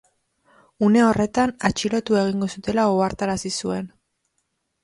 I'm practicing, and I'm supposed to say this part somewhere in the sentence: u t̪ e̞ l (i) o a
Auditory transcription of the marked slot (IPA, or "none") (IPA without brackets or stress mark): a